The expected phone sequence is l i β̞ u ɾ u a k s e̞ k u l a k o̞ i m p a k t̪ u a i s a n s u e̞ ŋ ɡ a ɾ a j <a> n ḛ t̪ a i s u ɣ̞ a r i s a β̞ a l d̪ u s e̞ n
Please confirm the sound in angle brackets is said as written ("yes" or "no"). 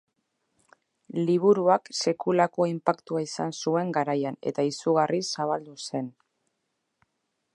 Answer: yes